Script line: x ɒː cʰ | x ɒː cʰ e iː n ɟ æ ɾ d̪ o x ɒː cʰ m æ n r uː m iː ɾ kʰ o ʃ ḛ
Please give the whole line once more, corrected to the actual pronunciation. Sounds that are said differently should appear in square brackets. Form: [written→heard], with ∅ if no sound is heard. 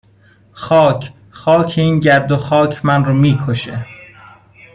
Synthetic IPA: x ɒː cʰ | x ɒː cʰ e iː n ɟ æ ɾ d̪ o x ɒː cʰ m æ n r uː m iː [ɾ→∅] kʰ o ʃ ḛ